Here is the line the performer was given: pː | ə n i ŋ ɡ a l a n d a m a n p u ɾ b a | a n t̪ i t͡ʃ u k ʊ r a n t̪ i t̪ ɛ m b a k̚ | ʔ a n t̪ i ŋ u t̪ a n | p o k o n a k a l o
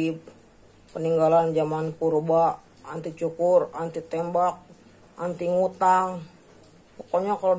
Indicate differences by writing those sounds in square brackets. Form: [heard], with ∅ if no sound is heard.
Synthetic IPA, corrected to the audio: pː | ə n i ŋ ɡ a l a n [d͡ʒ] a m a n p u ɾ b a | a n t̪ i t͡ʃ u k ʊ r a n t̪ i t̪ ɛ m b a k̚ | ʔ a n t̪ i ŋ u t̪ a [ŋ] | p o k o [ɲ] a k a l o